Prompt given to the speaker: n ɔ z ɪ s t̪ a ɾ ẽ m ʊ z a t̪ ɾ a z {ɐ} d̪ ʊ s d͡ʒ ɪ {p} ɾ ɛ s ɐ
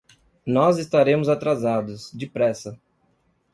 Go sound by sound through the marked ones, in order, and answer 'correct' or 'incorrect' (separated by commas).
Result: incorrect, correct